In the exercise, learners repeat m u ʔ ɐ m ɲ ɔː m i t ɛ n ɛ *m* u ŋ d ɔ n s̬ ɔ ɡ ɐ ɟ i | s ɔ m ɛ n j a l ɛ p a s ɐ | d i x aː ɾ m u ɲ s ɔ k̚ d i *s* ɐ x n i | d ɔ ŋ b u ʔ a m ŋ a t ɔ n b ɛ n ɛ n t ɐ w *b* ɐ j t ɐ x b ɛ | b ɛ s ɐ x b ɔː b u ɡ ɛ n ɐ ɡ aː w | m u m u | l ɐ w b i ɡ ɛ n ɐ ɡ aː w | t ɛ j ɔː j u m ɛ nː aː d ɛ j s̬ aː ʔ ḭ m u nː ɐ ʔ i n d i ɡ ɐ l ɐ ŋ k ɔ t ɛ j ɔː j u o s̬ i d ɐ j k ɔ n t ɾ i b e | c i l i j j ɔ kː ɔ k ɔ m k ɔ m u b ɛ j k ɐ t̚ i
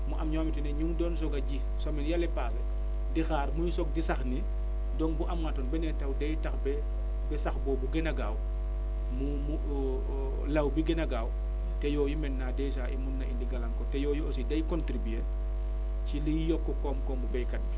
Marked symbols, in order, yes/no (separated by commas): no, yes, no